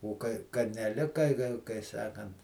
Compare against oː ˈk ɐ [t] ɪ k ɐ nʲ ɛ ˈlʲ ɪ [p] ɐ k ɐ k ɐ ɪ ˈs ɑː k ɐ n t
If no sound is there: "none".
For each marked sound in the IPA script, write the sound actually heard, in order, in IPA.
none, k

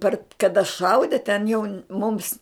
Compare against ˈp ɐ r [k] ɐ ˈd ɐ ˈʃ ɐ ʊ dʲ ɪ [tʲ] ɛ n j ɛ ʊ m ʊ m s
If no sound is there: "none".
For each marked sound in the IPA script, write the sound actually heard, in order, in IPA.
k, tʲ

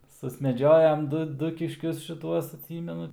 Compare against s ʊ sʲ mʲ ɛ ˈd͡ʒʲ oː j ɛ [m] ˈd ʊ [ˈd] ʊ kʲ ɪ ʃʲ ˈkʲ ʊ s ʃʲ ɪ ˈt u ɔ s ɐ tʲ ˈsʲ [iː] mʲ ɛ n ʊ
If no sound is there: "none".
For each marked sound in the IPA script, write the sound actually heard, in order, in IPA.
m, d, iː

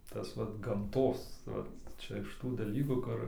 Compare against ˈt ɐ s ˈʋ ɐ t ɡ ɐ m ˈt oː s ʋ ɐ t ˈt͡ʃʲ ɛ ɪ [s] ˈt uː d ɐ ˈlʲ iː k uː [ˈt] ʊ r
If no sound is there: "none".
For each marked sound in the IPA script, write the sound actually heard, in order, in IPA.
ʃ, k

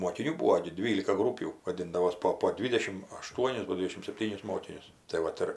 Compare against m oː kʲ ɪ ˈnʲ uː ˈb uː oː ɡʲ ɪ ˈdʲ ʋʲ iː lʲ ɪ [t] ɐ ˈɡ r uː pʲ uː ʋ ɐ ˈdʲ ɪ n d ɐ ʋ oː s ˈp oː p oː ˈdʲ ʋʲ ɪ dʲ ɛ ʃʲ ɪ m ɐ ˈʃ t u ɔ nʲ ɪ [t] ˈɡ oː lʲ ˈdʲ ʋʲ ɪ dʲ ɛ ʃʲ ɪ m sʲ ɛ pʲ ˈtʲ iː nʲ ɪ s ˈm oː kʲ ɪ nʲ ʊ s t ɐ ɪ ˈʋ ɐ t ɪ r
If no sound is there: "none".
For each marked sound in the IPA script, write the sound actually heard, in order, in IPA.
k, s

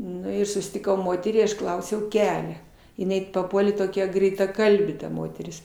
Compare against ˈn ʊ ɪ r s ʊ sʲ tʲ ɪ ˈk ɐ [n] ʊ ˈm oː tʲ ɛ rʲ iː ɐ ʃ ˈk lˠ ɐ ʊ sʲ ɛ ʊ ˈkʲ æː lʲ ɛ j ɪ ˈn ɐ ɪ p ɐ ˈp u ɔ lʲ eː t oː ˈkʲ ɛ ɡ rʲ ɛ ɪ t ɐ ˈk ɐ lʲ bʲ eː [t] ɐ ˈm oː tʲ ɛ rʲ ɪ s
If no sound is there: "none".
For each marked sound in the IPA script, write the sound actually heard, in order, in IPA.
none, t

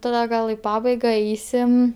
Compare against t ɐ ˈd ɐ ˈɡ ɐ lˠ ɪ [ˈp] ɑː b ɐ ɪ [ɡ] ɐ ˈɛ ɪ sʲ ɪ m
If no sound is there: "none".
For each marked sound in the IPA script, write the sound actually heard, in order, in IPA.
p, ɡ

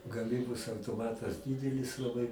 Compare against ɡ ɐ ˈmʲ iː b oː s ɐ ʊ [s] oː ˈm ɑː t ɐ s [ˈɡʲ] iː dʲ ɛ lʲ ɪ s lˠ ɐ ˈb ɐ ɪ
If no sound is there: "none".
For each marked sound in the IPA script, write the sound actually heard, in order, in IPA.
t, dʲ

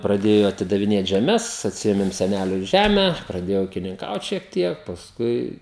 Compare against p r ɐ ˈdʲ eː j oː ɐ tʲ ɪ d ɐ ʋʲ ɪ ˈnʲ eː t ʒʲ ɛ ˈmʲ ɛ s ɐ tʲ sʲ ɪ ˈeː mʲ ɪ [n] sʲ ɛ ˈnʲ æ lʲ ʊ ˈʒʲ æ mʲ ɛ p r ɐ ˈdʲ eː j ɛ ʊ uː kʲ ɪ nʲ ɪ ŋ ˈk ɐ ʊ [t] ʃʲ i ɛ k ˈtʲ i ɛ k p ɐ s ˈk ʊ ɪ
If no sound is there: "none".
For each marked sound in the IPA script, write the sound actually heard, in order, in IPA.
m, t

